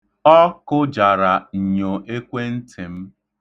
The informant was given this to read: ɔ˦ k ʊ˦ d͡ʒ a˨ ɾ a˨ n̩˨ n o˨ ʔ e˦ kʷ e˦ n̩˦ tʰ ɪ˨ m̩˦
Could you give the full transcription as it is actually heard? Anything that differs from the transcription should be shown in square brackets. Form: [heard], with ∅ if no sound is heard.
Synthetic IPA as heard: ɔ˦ k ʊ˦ d͡ʒ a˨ ɾ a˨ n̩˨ [ɲ] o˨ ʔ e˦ kʷ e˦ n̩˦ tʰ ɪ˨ m̩˦